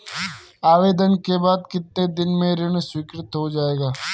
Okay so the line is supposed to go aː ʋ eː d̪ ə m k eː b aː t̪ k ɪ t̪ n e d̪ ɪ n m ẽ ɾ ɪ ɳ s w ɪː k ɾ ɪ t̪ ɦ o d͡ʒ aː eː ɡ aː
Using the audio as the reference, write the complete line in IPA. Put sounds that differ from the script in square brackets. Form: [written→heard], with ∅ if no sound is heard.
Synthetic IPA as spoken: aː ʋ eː d̪ ə [m→n] k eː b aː [t̪→d̪] k ɪ t̪ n e d̪ ɪ n m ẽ ɾ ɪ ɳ s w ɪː k ɾ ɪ t̪ ɦ o d͡ʒ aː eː ɡ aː